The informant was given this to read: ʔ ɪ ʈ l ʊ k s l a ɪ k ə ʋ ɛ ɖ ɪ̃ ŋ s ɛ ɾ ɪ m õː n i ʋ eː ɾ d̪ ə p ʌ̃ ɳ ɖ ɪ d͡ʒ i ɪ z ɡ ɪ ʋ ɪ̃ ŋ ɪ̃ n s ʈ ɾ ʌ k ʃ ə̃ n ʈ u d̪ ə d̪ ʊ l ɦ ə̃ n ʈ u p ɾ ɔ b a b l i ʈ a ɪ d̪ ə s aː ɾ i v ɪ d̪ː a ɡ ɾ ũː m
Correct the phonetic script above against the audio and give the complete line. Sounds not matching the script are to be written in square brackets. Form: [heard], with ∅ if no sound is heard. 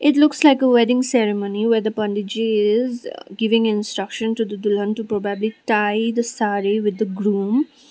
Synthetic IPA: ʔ ɪ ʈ l ʊ k s l a ɪ k ə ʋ ɛ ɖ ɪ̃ ŋ s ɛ ɾ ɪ m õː n i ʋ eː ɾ d̪ ə p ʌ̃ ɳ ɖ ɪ d͡ʒ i ɪ z ɡ ɪ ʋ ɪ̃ ŋ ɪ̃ n s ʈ ɾ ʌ k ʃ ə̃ n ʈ u d̪ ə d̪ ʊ l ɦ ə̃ n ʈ u p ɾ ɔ b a b l i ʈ a ɪ d̪ ə s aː ɾ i [ʋ] ɪ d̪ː [ə] ɡ ɾ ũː m